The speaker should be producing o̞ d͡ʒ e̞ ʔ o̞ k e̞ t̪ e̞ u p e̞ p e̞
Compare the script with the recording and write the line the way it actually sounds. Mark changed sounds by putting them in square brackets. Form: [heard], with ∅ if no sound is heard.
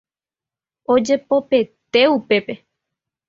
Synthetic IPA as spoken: o̞ d͡ʒ e̞ [p] o̞ [p] e̞ t̪ e̞ u p e̞ p e̞